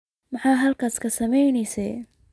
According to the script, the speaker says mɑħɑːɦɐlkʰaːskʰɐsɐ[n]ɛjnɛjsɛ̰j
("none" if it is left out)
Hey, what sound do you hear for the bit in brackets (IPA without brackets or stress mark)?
m